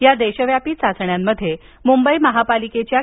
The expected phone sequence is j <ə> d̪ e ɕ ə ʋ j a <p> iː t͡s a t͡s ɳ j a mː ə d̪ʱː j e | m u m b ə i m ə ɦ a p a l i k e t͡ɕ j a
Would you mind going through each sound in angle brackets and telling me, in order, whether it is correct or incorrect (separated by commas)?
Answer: incorrect, correct